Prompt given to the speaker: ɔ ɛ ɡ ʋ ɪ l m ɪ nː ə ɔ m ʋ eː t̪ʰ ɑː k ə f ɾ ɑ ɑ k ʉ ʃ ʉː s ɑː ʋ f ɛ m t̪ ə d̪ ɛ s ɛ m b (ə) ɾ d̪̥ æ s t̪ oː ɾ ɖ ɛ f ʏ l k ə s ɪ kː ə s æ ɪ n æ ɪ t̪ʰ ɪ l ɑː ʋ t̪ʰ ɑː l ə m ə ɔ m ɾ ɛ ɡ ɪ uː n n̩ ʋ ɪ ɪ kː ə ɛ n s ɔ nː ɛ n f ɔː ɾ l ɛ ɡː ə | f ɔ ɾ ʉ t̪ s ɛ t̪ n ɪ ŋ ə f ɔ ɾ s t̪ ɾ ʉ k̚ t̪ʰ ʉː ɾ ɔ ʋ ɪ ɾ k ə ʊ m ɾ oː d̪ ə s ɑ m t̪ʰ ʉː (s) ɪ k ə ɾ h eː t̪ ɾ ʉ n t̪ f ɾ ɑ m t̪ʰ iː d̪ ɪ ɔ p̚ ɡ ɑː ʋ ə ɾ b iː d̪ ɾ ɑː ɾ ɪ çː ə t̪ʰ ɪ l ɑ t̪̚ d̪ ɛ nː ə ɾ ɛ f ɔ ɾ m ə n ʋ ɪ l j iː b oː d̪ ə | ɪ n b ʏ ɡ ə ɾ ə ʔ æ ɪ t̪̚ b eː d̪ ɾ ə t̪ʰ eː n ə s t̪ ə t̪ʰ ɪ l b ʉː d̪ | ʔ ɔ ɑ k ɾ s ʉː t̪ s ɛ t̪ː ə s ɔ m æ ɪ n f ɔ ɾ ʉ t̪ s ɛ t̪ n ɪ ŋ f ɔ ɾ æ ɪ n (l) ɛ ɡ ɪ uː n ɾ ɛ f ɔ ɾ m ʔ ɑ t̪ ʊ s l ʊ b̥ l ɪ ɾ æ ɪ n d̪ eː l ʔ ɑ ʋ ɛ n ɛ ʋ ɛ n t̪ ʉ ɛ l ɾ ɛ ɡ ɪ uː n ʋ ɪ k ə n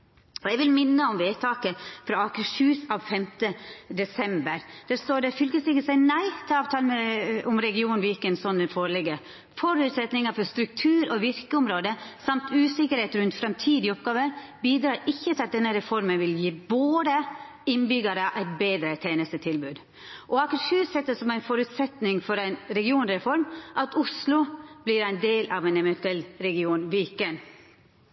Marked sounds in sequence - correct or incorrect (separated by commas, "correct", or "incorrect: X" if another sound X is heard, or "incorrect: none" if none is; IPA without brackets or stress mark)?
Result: correct, correct, incorrect: ɾ